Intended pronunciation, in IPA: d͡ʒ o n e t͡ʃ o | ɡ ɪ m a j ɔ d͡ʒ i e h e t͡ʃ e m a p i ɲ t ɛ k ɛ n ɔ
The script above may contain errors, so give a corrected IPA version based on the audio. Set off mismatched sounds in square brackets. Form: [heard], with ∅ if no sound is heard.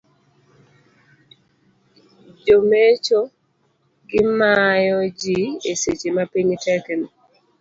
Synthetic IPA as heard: d͡ʒ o [m] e t͡ʃ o | ɡ ɪ m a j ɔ d͡ʒ i e [s] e t͡ʃ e m a p i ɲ t ɛ k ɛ n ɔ